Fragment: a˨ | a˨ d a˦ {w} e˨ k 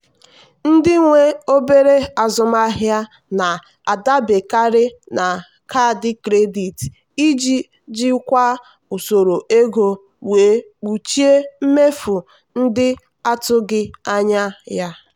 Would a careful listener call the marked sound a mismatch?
yes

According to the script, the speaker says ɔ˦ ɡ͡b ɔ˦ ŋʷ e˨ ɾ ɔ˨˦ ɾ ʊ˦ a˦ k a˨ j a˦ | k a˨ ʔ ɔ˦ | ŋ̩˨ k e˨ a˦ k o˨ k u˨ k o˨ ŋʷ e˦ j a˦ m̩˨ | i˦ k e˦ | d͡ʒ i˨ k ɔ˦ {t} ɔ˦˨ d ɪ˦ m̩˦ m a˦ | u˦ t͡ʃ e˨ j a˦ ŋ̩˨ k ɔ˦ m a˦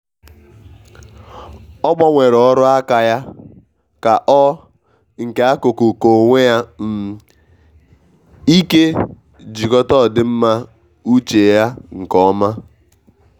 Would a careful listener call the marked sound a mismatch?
no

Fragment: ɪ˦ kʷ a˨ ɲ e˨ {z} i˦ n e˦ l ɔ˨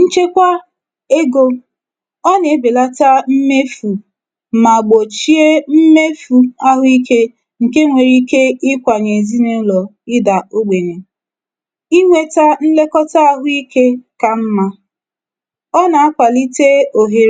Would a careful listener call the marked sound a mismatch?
no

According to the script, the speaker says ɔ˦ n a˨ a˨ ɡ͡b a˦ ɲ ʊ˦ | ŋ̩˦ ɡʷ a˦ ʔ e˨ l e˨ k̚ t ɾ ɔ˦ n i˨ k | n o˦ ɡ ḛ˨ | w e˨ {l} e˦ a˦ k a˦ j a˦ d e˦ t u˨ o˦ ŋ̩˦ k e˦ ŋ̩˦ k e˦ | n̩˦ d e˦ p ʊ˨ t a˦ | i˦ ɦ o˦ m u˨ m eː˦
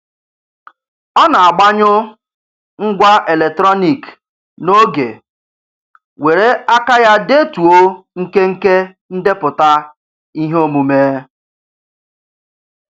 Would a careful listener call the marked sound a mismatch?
yes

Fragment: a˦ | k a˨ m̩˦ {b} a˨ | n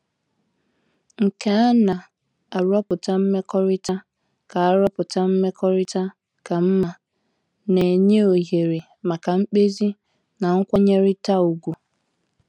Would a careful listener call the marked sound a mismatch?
yes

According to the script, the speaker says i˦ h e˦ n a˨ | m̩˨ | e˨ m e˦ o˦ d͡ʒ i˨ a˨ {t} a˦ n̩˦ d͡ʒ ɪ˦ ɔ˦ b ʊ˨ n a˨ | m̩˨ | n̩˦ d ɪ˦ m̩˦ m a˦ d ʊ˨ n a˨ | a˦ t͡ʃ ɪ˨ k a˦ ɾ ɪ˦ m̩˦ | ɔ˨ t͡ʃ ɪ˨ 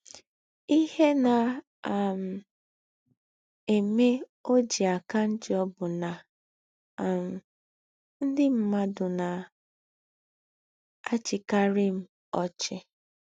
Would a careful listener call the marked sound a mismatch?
yes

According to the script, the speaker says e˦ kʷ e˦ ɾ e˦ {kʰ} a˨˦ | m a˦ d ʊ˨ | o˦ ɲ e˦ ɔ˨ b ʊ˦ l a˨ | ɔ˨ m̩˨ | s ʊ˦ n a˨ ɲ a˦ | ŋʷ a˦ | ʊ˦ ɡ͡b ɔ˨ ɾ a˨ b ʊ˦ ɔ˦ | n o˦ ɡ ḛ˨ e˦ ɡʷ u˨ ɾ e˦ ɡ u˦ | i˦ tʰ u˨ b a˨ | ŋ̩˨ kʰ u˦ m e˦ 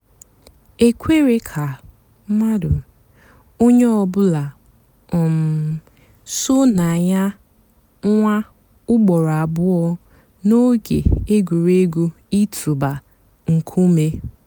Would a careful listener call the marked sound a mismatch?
no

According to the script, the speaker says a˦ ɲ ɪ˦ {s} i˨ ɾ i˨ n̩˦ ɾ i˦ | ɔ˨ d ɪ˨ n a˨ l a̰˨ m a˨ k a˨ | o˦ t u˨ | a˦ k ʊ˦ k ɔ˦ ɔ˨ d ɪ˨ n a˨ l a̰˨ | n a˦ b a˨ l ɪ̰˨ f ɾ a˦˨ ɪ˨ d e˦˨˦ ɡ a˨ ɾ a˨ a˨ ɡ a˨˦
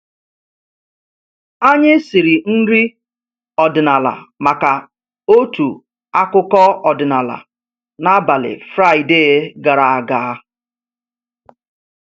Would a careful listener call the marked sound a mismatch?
no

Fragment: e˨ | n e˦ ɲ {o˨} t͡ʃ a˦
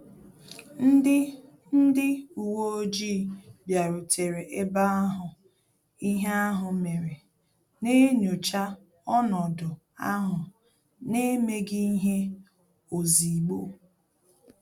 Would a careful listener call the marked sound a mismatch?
no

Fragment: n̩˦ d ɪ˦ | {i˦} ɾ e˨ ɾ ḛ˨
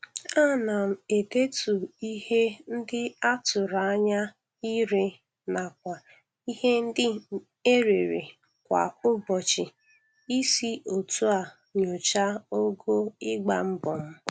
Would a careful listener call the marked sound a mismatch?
yes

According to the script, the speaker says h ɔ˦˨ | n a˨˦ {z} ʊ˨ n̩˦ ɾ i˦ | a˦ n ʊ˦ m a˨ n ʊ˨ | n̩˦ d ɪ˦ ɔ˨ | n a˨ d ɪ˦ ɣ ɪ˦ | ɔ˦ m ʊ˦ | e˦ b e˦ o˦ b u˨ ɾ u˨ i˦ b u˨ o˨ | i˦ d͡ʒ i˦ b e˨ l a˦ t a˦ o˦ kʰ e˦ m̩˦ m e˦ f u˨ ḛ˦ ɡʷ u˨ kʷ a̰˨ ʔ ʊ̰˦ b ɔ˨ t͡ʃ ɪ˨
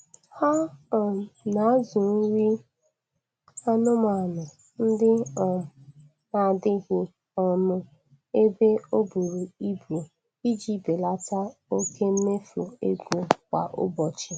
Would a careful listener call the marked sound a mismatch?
no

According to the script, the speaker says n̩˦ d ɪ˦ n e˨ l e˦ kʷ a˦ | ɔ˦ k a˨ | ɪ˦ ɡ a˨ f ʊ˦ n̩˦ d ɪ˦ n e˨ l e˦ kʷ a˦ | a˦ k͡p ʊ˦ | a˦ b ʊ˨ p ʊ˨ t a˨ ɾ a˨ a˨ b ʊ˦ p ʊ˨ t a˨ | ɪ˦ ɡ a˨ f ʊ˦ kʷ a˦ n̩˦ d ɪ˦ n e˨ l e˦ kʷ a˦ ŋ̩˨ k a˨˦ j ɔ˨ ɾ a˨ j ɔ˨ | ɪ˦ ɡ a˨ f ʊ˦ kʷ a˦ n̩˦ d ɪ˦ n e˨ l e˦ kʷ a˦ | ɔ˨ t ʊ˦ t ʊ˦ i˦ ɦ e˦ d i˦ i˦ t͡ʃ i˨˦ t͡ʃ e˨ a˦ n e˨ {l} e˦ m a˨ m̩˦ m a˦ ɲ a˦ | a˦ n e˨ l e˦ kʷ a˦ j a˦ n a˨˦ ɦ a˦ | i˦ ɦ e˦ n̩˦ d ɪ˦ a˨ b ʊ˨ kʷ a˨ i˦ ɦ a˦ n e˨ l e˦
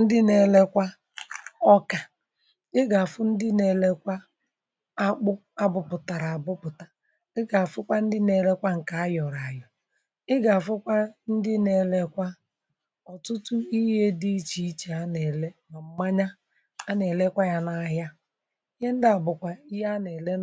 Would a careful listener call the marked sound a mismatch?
no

